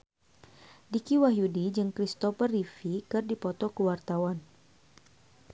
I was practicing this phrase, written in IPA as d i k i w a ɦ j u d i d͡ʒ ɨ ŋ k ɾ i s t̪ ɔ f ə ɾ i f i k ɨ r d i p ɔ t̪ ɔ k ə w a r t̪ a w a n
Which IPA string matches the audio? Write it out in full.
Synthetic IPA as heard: d i k i w a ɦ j u d i d͡ʒ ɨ ŋ k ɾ i s t̪ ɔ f ə r i f i k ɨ r d i p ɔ t̪ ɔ k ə w a r t̪ a w a n